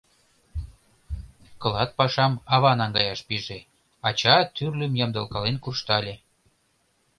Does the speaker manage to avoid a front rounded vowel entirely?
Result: no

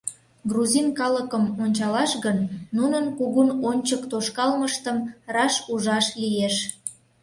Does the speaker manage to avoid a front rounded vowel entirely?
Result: yes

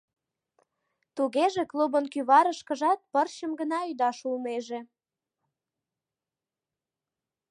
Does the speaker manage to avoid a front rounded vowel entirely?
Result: no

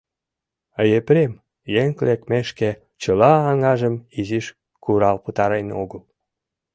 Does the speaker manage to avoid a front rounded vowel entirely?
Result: yes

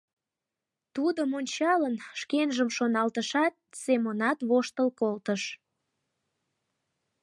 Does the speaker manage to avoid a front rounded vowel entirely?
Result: yes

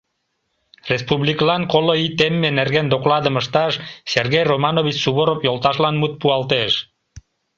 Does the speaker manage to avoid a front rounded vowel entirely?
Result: yes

